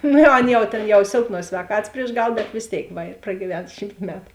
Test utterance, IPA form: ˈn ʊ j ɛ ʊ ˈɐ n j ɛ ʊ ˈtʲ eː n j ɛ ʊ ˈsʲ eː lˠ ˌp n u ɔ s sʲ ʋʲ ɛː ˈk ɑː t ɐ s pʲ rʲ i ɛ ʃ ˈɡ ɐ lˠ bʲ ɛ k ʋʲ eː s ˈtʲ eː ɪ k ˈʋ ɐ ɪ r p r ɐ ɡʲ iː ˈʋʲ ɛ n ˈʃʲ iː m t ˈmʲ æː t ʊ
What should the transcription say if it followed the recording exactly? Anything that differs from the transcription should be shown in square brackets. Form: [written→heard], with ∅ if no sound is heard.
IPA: ˈn ʊ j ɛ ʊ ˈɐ n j ɛ ʊ ˈtʲ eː n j ɛ ʊ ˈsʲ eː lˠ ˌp n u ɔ s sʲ ʋʲ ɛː ˈk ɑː t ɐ s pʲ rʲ i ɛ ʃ ˈɡ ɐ lˠ bʲ ɛ [k→t] ʋʲ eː s ˈtʲ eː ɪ k ˈʋ ɐ ɪ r p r ɐ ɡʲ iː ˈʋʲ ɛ n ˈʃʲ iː m t ˈmʲ æː t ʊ